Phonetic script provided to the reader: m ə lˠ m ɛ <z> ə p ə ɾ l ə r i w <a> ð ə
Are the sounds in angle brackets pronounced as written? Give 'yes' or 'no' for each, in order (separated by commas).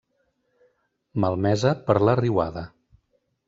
yes, yes